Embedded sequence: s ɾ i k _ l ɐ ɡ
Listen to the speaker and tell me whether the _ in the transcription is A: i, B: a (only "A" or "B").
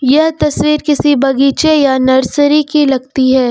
A